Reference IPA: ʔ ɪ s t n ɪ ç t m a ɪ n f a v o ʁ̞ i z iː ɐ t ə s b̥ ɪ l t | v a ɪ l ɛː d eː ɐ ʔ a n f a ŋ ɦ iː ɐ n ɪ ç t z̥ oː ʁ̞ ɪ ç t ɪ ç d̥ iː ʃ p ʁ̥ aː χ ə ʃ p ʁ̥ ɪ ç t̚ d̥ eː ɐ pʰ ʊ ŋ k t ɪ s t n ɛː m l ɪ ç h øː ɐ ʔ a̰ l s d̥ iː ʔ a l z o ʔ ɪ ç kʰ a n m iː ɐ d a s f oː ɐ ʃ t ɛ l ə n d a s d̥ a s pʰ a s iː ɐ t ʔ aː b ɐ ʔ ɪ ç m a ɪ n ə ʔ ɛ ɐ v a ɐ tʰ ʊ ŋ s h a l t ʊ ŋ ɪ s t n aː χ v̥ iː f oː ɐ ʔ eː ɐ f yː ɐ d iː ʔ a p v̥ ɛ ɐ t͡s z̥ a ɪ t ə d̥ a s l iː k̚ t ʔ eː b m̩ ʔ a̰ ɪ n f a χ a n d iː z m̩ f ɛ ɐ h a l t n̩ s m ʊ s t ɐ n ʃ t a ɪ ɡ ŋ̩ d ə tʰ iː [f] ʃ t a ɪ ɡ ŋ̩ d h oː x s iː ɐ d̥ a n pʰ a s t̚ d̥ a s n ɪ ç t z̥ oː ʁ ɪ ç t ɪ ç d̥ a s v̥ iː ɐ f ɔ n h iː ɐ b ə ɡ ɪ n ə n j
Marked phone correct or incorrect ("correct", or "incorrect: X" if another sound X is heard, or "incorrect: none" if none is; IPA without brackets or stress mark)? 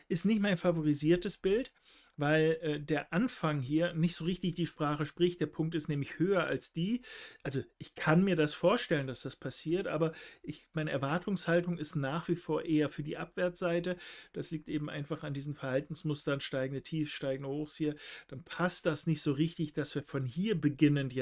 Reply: correct